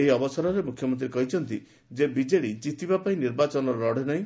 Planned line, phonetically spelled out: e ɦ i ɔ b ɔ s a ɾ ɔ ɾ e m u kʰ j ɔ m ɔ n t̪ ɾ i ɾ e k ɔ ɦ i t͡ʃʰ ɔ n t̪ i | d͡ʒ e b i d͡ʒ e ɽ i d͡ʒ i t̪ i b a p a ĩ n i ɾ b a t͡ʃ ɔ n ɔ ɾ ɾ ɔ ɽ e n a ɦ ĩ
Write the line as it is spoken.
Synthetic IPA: e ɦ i ɔ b ɔ s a ɾ ɔ ɾ e m u kʰ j ɔ m ɔ n t̪ ɾ i ɾ e k ɔ ɦ i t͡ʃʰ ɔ n t̪ i | d͡ʒ e b i d͡ʒ e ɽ i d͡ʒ i t̪ i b a p a ĩ n i ɾ b a t͡ʃ ɔ n ɔ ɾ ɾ ɔ ɽ e n a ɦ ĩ